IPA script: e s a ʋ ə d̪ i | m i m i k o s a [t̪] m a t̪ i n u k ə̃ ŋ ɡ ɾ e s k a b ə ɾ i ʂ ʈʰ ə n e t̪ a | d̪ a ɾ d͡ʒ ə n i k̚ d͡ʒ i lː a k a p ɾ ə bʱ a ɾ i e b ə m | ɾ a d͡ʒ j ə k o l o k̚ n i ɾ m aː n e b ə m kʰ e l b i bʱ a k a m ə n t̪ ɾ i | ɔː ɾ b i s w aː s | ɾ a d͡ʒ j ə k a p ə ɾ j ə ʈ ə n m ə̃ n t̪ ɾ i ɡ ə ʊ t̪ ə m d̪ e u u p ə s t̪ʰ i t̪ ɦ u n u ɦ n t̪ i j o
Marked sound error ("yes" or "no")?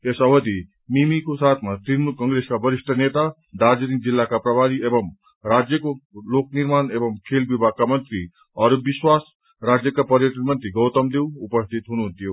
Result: yes